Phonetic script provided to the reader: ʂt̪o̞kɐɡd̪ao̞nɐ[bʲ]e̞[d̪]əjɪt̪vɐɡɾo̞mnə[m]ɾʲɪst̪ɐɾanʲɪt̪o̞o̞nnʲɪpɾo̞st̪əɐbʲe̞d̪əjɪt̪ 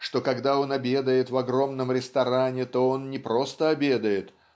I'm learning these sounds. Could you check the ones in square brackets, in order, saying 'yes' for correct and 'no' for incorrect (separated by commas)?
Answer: yes, yes, yes